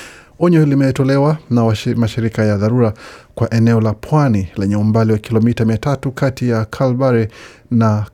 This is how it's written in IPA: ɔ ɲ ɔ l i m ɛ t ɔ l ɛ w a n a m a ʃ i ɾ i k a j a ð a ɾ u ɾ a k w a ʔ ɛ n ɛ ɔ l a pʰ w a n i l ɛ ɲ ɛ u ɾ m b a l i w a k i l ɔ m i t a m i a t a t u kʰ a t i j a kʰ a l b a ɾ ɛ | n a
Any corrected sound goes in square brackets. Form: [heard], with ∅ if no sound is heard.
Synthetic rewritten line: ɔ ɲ ɔ l i m ɛ t ɔ l ɛ w a n a m a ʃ i ɾ i k a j a ð a ɾ u ɾ a k w a ʔ ɛ n ɛ ɔ l a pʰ w a n i l ɛ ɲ ɛ u [∅] m b a l i w a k i l ɔ m i t a m i a t a t u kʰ a t i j a kʰ a l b a ɾ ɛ | n a